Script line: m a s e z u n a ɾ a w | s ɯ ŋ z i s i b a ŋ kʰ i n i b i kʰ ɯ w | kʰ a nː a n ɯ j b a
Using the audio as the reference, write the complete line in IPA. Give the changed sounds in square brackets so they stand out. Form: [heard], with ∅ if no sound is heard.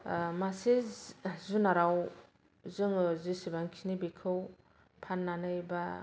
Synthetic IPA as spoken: m a s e z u n a ɾ a w | [z] ɯ ŋ z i s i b a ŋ kʰ i n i b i kʰ ɯ w | [pʰ] a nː a n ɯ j b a